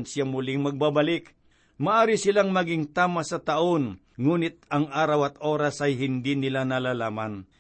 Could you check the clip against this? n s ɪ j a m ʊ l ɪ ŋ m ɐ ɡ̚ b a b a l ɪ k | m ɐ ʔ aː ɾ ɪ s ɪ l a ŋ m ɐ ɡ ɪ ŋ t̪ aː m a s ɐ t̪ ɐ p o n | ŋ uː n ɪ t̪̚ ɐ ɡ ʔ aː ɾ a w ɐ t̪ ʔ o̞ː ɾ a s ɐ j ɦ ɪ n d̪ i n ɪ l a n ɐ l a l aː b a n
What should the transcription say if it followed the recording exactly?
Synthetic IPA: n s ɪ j a m ʊ l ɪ ŋ m ɐ ɡ̚ b a b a l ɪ k | m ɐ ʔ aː ɾ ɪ s ɪ l a ŋ m ɐ ɡ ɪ ŋ t̪ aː m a s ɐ t̪ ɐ ʔ o n | ŋ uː n ɪ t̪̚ ɐ ŋ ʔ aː ɾ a w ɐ t̪ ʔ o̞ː ɾ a s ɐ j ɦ ɪ n d̪ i n ɪ l a n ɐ l a l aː m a n